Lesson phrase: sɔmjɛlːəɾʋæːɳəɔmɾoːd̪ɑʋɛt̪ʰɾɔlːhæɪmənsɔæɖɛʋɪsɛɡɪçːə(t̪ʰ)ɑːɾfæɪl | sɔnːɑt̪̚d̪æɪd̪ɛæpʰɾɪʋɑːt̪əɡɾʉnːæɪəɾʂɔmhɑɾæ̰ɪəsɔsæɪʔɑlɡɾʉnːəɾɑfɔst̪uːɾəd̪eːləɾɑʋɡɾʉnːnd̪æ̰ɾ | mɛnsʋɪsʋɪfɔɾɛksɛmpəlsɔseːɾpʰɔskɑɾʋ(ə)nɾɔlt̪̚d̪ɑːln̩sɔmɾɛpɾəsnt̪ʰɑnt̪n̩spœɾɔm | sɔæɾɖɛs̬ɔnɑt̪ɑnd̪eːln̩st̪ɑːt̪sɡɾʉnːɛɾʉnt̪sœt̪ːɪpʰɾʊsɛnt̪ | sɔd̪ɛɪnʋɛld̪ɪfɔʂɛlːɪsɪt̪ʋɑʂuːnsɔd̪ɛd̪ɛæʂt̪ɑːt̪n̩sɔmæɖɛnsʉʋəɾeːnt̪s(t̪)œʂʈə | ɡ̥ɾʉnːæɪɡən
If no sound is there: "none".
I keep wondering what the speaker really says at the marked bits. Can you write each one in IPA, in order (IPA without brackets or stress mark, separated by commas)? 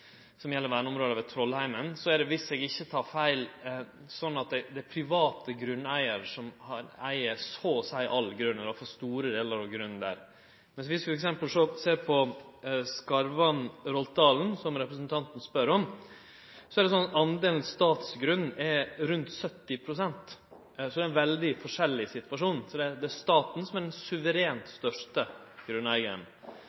t̪ʰ, ɑ, t̪